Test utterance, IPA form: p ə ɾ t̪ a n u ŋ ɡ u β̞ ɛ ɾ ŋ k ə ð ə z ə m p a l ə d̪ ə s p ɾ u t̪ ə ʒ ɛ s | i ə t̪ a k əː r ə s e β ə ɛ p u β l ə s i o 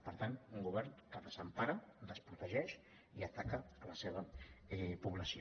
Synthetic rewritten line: p ə ɾ t̪ a n u ŋ ɡ u β̞ ɛ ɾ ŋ k ə ð ə z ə m p a ɾ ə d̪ ə s p ɾ u t̪ ə ʒ ɛ ʃ | i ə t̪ a k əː l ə s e β ə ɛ p u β l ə s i o